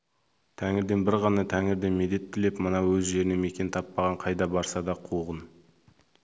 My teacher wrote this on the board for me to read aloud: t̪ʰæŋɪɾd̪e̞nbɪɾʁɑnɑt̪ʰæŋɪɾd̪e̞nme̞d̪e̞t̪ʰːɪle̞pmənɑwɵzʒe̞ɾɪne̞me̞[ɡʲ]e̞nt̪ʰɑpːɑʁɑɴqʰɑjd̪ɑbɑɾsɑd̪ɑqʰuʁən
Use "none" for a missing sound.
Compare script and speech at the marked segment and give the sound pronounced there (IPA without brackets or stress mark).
kʲ